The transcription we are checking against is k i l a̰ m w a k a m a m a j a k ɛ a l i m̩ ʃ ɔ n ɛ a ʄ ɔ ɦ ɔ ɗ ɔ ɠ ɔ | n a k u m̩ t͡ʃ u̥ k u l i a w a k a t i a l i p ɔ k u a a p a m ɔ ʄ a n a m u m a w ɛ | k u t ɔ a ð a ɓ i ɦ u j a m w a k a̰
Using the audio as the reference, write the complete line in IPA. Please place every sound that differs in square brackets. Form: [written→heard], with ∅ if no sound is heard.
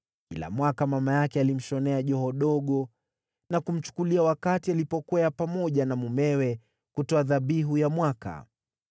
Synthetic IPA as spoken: k i l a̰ m w a k a m a m a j a k ɛ a l i m̩ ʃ ɔ n ɛ a ʄ ɔ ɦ ɔ ɗ ɔ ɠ ɔ | n a k u m̩ t͡ʃ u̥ k u l i a w a k a t i a l i p ɔ k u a a p a m ɔ ʄ a n a m u m [a→ɛ] w ɛ | k u t ɔ a ð a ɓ i ɦ u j a m w a k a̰